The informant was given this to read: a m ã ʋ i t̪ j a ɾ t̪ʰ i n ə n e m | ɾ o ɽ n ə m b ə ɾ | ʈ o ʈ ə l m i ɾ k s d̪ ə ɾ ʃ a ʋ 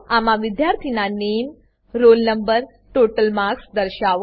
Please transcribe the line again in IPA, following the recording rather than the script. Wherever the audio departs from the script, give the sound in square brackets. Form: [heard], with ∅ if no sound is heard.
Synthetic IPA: a m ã ʋ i [d̪] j a ɾ t̪ʰ i n [a] n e m | ɾ o [l] n ə m b ə ɾ | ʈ o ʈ ə l m [a] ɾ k s d̪ ə ɾ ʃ a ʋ